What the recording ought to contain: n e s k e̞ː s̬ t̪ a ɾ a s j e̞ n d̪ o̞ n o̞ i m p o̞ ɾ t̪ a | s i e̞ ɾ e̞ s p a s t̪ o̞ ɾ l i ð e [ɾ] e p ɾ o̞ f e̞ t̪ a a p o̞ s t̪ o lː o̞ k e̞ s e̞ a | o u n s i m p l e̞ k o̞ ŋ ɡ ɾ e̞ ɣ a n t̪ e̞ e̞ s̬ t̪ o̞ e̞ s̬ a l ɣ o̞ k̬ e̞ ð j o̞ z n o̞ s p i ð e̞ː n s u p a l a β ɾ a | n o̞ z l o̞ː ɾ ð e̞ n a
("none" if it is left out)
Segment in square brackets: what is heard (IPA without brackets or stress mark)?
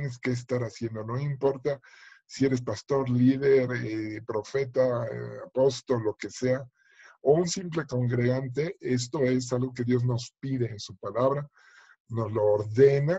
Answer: ɾ